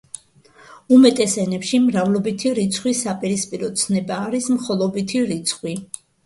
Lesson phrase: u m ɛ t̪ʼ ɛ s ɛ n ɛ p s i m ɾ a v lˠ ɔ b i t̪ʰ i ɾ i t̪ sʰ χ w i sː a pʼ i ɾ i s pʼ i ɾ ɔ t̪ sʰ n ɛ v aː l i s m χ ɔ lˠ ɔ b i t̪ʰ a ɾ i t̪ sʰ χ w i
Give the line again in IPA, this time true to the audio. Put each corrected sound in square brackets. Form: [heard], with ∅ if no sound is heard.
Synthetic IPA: u m ɛ t̪ʼ ɛ s ɛ n ɛ p [ʃ] i m ɾ a v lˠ ɔ b i t̪ʰ i ɾ i t̪ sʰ χ w i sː a pʼ i ɾ i s pʼ i ɾ ɔ t̪ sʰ n ɛ [b] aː [ɾ] i s m χ ɔ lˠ ɔ b i t̪ʰ [i] ɾ i t̪ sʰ χ w i